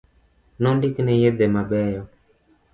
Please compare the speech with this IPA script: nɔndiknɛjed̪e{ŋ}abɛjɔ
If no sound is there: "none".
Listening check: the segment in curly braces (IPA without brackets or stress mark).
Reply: m